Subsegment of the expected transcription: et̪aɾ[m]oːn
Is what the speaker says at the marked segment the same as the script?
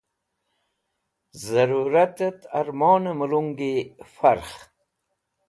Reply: yes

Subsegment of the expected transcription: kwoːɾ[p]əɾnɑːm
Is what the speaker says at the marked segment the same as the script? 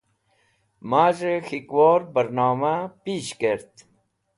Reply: no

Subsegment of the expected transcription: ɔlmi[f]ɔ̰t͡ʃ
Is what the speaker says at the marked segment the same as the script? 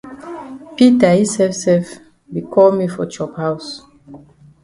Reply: yes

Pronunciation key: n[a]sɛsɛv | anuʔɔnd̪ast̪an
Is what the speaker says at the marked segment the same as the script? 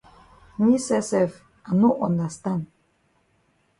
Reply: no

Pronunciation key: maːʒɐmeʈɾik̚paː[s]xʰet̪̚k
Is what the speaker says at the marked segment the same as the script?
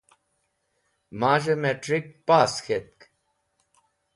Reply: yes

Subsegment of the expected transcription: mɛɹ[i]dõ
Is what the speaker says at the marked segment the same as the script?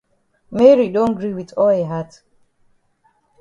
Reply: yes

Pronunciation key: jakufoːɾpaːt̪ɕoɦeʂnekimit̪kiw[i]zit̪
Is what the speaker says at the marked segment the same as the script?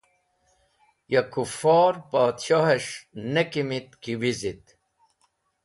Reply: yes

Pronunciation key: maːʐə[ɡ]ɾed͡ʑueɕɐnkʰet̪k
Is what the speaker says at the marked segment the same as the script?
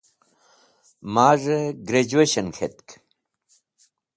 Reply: yes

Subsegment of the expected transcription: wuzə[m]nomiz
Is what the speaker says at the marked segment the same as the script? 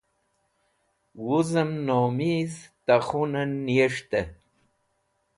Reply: yes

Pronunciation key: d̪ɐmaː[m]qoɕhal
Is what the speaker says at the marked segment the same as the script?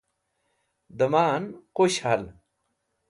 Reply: no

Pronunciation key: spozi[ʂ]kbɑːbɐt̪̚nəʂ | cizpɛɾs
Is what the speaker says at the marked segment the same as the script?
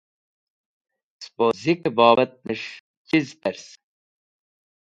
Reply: no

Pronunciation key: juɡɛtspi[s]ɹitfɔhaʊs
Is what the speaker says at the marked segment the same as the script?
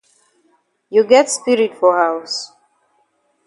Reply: no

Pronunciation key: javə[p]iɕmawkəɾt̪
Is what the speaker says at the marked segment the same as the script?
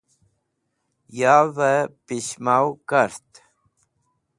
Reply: yes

